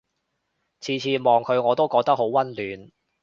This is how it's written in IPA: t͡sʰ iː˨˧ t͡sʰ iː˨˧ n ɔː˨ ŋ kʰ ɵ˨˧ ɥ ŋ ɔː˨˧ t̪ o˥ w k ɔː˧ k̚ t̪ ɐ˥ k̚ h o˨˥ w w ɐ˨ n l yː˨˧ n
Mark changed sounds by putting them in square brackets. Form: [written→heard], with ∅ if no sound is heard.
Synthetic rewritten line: t͡sʰ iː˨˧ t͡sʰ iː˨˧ [n→m] ɔː˨ ŋ kʰ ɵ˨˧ ɥ ŋ ɔː˨˧ t̪ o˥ w k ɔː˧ k̚ t̪ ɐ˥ k̚ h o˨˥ w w [ɐ˨→ɐ˥] n l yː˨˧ n